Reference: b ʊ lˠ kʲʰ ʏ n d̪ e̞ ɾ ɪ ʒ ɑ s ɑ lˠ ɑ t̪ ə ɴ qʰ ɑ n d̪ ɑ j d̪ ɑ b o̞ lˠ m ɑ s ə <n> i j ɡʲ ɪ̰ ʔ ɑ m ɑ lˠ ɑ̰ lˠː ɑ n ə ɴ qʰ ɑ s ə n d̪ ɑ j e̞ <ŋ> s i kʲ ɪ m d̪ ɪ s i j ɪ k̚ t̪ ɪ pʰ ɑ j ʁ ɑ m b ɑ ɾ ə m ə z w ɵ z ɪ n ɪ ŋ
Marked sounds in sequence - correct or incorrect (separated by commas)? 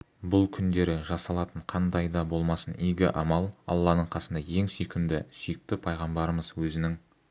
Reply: correct, correct